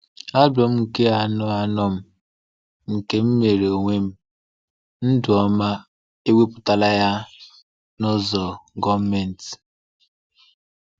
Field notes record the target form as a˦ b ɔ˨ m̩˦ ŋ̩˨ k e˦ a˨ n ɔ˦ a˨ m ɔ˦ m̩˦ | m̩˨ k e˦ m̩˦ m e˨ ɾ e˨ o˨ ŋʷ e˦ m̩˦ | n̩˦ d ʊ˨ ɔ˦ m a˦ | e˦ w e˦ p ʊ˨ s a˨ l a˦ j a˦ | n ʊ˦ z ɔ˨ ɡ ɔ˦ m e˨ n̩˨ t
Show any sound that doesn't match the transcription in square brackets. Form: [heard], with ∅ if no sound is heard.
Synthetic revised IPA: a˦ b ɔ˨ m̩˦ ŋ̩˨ k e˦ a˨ n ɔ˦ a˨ [n] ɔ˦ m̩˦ | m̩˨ k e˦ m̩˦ m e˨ ɾ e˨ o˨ ŋʷ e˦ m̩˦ | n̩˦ d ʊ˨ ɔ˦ m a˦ | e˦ w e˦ p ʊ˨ [t] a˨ l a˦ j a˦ | n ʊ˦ z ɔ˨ ɡ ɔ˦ m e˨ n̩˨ t

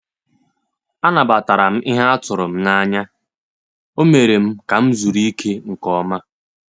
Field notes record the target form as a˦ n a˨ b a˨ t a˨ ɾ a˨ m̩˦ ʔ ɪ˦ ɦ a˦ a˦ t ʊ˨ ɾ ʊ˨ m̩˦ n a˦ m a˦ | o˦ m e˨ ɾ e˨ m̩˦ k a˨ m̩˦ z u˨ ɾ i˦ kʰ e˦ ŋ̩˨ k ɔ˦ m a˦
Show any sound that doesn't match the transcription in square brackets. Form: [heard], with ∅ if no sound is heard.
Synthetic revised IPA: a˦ n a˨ b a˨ t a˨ ɾ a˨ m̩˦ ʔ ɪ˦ ɦ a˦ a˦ t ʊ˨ ɾ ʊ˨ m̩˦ n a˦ [ɲ] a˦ | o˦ m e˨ ɾ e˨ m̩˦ k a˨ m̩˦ z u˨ ɾ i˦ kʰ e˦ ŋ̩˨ k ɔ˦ m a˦

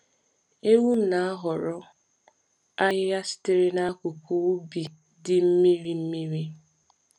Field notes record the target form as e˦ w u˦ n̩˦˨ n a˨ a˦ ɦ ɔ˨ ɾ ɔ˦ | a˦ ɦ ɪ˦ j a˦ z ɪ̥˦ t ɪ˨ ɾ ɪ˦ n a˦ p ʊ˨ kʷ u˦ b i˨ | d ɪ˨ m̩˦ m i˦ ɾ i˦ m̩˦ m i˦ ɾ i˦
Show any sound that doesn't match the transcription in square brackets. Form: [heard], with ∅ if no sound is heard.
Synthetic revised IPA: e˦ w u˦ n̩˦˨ n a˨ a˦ ɦ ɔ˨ ɾ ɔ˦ | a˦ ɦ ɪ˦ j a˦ [s] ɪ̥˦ t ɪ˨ ɾ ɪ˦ n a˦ [k] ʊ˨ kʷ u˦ b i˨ | d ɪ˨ m̩˦ m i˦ ɾ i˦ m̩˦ m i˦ ɾ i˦

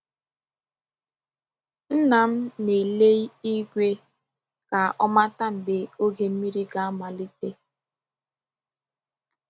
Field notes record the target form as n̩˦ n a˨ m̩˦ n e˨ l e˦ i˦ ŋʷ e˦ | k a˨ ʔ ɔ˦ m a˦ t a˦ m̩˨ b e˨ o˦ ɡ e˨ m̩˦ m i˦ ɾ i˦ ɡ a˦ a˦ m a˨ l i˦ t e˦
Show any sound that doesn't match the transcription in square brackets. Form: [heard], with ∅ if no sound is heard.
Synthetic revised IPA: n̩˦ n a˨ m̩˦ n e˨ l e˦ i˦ [ɡʷ] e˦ | k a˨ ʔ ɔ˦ m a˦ t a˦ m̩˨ b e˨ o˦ ɡ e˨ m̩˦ m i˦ ɾ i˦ ɡ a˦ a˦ m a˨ l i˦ t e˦

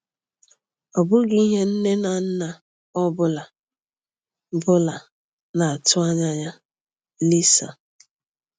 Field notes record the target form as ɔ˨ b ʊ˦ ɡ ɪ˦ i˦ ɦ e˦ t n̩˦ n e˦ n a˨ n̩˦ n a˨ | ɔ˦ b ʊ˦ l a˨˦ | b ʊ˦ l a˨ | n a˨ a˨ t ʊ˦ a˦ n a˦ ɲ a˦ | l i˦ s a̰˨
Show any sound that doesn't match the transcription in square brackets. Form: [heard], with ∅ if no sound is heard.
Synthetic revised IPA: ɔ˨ b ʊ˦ ɡ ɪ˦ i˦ ɦ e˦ [∅] n̩˦ n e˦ n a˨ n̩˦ n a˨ | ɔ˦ b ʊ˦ l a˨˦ | b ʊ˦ l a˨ | n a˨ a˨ t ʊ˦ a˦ [ɲ] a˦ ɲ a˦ | l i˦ s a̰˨

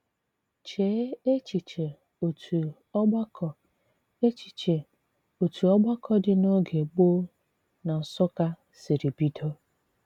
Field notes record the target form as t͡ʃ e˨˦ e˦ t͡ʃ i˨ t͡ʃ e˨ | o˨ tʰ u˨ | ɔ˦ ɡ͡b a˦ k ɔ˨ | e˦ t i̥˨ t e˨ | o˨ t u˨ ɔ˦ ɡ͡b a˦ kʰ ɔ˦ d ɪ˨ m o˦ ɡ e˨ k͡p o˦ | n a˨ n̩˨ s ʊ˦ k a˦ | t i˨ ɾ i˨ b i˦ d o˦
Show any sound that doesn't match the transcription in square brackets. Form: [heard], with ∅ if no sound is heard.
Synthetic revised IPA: t͡ʃ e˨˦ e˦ t͡ʃ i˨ t͡ʃ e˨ | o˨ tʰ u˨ | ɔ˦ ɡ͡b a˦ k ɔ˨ | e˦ [t͡ʃ] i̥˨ [t͡ʃ] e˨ | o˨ t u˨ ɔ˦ ɡ͡b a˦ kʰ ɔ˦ d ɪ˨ [n] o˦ ɡ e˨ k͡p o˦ | n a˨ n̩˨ s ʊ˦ k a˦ | [s] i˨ ɾ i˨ b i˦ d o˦

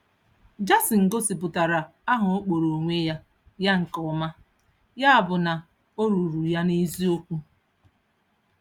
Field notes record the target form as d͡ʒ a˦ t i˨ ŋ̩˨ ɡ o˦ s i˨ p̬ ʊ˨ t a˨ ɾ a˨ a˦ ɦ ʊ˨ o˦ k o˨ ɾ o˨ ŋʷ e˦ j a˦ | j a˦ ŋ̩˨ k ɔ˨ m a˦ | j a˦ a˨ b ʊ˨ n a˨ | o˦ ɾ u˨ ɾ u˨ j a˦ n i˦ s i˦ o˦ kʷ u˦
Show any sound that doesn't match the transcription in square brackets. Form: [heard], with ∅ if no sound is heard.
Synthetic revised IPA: d͡ʒ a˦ [s] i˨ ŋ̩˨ ɡ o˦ s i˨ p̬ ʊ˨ t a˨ ɾ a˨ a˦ ɦ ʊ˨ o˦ [k͡p] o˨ ɾ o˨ ŋʷ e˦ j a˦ | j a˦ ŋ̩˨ k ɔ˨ m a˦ | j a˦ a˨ b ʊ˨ n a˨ | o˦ ɾ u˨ ɾ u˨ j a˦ n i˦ [z] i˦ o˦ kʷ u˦

